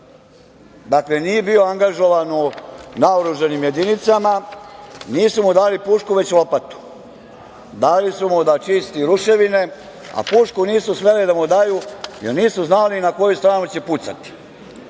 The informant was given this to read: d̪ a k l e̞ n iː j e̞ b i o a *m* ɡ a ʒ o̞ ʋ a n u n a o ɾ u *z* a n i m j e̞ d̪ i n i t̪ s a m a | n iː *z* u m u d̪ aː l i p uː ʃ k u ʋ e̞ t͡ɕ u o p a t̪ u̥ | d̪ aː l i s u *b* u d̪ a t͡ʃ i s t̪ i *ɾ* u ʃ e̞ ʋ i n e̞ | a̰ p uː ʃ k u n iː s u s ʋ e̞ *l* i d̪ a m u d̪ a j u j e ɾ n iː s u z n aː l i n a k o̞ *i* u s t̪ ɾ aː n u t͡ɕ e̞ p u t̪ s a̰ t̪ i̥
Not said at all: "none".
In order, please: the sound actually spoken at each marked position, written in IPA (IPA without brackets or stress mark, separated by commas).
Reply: ŋ, ʒ, s, m, ɾ, l, j